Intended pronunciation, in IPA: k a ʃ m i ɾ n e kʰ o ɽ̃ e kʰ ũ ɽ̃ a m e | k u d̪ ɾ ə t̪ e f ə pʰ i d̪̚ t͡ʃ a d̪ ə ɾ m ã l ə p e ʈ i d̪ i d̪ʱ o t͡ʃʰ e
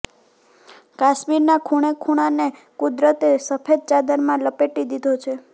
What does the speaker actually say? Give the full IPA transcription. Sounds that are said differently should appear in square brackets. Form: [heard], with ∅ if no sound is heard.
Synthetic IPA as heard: k a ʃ m i ɾ n [a] kʰ [u] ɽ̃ e kʰ [u] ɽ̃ a [n] e | k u d̪ ɾ ə t̪ e [s] ə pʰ [e] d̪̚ t͡ʃ a d̪ ə ɾ m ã l ə p e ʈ i d̪ i d̪ʱ o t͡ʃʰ e